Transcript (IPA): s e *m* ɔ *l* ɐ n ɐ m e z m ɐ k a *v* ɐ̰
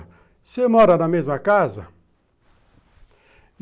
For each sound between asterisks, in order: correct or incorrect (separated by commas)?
correct, incorrect, incorrect